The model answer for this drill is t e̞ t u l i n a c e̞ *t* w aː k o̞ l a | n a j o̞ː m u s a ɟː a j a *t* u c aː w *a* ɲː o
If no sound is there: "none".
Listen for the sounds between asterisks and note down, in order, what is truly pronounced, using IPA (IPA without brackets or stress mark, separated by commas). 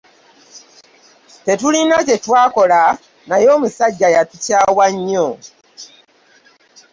t, t, a